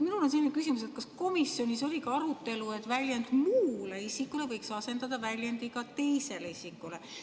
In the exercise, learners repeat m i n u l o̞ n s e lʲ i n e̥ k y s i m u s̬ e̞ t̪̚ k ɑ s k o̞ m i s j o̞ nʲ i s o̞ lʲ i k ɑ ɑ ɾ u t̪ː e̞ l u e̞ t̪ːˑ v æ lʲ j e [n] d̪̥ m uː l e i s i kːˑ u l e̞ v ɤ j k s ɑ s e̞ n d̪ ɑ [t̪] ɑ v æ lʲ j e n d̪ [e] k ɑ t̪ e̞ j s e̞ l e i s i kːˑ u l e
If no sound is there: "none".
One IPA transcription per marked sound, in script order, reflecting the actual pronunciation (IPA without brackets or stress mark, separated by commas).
n, d̪, i